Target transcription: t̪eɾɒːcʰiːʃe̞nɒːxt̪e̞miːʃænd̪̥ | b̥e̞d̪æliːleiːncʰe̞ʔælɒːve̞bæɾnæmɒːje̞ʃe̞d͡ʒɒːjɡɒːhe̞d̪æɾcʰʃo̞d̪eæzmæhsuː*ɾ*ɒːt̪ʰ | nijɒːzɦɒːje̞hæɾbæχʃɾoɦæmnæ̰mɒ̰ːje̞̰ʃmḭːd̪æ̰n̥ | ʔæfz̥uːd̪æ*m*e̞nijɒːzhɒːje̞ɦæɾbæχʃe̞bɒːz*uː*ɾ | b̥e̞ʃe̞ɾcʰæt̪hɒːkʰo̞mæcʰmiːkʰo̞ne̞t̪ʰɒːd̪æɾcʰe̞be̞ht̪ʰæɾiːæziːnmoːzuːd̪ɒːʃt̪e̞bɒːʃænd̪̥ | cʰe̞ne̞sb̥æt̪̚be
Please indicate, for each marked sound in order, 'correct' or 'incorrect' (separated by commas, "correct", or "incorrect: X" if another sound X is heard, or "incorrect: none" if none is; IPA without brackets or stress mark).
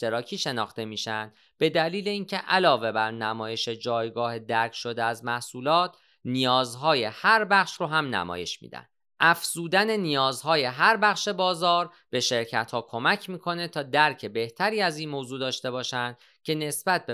incorrect: l, incorrect: n, incorrect: ɒː